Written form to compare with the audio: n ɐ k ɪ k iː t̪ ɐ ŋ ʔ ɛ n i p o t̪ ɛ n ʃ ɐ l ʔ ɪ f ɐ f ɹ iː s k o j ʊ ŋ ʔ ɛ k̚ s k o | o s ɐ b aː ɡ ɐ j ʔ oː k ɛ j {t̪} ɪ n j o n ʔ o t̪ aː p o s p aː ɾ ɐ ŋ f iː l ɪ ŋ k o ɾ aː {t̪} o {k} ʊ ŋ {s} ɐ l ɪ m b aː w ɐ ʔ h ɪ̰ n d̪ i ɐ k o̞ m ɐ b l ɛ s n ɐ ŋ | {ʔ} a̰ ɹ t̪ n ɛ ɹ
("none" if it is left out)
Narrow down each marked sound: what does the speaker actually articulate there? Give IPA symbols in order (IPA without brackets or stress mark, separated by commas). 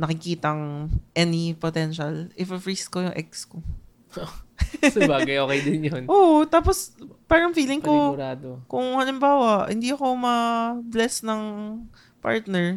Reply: d̪, d̪, k, h, p